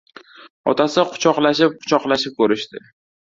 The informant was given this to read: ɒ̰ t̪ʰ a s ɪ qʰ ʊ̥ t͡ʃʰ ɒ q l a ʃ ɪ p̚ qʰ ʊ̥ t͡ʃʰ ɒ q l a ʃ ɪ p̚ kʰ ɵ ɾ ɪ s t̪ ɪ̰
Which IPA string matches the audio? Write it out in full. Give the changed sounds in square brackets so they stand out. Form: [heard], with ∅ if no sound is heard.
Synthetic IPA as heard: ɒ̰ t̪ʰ a s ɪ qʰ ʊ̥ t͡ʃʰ ɒ q l a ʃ ɪ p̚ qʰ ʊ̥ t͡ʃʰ ɒ q l a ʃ ɪ p̚ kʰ ɵ ɾ ɪ [ʃ] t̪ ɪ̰